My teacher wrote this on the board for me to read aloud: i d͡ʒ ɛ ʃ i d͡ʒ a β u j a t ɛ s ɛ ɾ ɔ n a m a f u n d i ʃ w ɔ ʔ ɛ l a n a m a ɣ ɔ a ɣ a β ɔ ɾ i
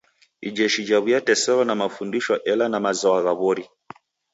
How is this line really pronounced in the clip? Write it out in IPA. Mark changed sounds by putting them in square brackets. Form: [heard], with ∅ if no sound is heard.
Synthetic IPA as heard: i d͡ʒ ɛ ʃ i d͡ʒ a β u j a t ɛ s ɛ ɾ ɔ n a m a f u n d i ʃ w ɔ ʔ ɛ l a n a m a [z] ɔ a ɣ a β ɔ ɾ i